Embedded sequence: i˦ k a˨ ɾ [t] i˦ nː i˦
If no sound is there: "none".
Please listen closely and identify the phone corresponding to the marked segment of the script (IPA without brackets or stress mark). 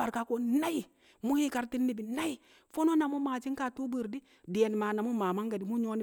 t